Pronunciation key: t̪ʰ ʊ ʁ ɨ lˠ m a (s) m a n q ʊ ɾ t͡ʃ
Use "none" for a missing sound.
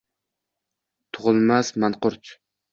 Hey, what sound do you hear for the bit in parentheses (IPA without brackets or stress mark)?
s